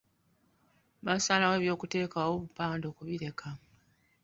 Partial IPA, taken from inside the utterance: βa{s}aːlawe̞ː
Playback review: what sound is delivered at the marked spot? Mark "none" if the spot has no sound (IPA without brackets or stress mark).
s